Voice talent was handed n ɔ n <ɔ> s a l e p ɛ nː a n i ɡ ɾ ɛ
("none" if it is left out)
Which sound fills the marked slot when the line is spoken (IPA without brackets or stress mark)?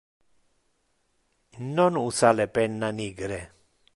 u